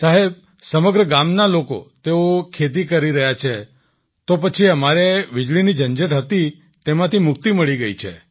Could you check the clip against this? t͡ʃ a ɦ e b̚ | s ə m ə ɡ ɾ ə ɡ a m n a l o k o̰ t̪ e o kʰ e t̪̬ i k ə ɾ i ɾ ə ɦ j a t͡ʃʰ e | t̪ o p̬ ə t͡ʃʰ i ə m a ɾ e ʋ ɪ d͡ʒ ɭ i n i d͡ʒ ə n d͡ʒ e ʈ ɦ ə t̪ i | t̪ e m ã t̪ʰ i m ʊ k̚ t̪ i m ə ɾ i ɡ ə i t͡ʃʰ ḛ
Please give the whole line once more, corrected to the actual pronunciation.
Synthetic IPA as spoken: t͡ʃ a ɦ e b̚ | s ə m ə ɡ ɾ ə ɡ a m n a l o k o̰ t̪ e o kʰ e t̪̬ i k ə ɾ i ɾ ə ɦ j a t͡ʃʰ e | t̪ o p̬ ə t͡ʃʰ i ə m a ɾ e ʋ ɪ d͡ʒ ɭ i n i d͡ʒ ə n d͡ʒ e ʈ ɦ ə t̪ i | t̪ e m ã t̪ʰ i m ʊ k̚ t̪ i m ə ɭ i ɡ ə i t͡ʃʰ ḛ